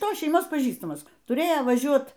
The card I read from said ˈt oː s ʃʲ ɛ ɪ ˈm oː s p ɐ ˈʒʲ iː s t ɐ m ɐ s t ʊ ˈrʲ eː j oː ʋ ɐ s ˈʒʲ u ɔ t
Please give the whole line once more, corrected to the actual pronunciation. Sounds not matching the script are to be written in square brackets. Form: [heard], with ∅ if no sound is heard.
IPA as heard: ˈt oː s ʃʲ ɛ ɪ ˈm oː s p ɐ ˈʒʲ iː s t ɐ m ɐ s t ʊ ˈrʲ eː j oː ʋ ɐ [∅] ˈʒʲ u ɔ t

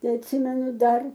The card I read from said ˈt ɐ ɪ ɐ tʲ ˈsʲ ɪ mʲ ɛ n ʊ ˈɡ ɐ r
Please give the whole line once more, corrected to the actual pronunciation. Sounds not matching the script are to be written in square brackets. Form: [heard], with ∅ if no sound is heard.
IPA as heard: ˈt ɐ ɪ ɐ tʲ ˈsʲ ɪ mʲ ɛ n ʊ [ˈd] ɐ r

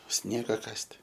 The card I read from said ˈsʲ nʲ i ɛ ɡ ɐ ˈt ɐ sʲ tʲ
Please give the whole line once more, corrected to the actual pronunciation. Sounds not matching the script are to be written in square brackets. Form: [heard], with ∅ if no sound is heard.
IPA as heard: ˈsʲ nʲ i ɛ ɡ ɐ [ˈk] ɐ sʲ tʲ

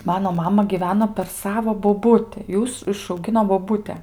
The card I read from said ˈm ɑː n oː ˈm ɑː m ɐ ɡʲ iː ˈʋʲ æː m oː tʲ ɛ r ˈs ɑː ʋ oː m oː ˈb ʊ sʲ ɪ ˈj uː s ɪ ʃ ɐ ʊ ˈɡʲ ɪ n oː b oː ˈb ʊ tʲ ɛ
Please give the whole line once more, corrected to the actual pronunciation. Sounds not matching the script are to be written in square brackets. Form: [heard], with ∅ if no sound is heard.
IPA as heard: ˈm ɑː n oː ˈm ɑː m ɐ ɡʲ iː ˈʋʲ æː [n] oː [pʲ] ɛ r ˈs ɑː ʋ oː [b] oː ˈb ʊ [tʲ] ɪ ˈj uː s ɪ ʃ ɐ ʊ ˈɡʲ ɪ n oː b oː ˈb ʊ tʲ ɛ

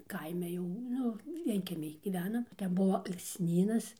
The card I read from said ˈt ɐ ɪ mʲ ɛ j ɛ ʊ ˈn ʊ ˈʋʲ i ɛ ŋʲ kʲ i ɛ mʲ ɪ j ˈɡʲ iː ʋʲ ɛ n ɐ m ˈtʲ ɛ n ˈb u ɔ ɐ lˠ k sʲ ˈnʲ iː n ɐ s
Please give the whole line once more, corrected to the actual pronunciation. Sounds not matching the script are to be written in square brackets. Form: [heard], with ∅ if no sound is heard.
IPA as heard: [ˈk] ɐ ɪ mʲ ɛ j ɛ ʊ ˈn ʊ ˈʋʲ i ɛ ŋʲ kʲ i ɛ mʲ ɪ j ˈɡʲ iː ʋʲ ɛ n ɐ m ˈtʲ ɛ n ˈb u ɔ ɐ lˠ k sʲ ˈnʲ iː n ɐ s

